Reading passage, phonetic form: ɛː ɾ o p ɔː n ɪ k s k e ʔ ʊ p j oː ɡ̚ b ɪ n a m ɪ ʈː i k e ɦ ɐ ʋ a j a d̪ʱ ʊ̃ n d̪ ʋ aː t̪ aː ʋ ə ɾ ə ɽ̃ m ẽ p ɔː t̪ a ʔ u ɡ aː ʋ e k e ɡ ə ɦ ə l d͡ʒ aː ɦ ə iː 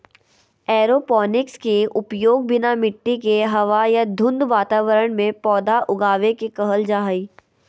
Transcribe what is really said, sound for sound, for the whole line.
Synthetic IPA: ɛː ɾ o p ɔː n ɪ k s k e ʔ ʊ p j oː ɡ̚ b ɪ n a m ɪ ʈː i k e ɦ ɐ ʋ a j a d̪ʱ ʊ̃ n d̪ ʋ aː t̪ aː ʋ ə ɾ ə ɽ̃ m ẽ p ɔː d̪ a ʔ ʊ ɡ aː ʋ e k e k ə ɦ ə l d͡ʒ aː ɦ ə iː